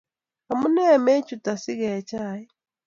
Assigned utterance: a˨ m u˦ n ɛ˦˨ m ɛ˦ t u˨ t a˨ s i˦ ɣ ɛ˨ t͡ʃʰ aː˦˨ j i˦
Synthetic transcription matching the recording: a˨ m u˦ n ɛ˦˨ m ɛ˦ t͡ʃ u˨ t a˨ s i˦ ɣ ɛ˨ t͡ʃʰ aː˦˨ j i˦